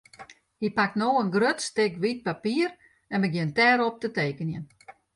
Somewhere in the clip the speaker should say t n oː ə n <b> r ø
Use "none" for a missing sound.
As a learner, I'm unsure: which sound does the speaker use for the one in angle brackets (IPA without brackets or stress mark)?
ɡ